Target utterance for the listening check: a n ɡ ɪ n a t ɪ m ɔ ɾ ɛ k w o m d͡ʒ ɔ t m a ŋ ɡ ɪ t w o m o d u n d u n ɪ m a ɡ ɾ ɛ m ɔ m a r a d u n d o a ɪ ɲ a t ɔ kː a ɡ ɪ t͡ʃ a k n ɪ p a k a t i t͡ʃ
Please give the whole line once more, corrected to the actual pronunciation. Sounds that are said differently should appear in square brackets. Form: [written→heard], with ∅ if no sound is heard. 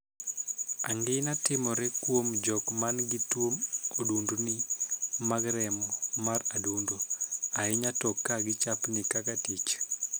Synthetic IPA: a [n→ŋ] ɡ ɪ n a t ɪ m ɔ ɾ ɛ k w o m d͡ʒ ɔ [t→k] m a [ŋ→n] ɡ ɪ t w o m o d u n d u n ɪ m a ɡ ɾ ɛ m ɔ m a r a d u n d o a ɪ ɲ a t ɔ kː a ɡ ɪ t͡ʃ a [k→p] n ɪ [p→k] a k a t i t͡ʃ